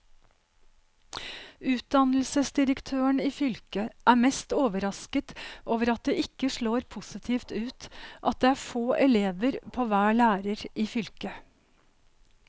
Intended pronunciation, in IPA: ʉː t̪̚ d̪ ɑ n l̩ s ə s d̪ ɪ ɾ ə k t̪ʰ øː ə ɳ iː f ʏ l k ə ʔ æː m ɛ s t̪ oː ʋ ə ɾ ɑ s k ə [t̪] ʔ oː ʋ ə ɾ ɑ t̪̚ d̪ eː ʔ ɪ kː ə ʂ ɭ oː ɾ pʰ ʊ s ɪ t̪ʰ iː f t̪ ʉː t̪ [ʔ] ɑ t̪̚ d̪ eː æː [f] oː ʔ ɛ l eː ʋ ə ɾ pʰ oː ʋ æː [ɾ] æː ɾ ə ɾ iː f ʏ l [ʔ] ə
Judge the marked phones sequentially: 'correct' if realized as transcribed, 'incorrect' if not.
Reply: correct, correct, correct, incorrect: ɭ, incorrect: k

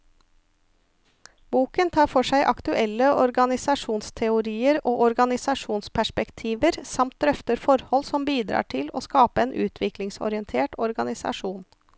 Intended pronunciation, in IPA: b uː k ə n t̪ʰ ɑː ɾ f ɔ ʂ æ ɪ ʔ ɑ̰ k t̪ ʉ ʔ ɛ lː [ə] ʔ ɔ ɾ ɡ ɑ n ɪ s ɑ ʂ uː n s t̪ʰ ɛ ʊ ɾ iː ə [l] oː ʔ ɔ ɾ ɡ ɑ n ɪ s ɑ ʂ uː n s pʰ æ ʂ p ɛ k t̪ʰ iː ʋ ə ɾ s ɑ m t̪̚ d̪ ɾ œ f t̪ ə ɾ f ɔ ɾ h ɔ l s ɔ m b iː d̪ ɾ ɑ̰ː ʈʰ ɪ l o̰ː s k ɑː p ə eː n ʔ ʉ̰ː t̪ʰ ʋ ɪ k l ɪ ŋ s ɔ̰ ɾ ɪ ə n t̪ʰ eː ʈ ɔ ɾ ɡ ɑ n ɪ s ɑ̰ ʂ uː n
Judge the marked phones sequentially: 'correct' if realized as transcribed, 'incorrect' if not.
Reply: correct, incorrect: ɾ

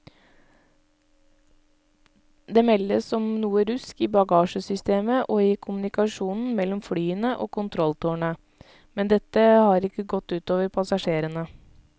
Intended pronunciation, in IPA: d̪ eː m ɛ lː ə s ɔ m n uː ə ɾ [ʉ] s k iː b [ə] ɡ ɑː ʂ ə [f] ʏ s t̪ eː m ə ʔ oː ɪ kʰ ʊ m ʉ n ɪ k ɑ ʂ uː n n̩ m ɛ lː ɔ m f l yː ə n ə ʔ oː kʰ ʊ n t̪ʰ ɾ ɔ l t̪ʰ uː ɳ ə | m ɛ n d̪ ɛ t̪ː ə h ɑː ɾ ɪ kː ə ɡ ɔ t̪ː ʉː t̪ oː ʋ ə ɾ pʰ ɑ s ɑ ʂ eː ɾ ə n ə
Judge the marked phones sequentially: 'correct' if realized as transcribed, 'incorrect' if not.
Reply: correct, incorrect: ɑ, incorrect: s

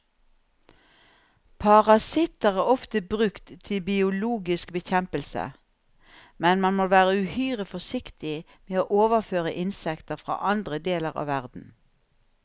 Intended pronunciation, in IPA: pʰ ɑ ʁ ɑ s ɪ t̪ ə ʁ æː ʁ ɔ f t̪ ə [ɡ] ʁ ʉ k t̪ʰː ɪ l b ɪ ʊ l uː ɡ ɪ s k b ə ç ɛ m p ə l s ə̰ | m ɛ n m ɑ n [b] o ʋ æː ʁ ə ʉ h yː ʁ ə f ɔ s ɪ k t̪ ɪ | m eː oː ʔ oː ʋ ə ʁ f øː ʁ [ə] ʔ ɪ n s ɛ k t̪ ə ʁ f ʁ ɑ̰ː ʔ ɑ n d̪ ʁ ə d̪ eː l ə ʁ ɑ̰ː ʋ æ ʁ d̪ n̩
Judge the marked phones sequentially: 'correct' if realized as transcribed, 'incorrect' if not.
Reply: incorrect: b, incorrect: m, correct

